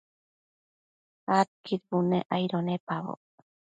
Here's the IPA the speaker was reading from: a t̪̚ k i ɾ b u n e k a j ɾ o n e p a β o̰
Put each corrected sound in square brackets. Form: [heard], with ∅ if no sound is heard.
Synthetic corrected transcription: a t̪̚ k i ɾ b u n e [ʔ] a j ɾ o n e p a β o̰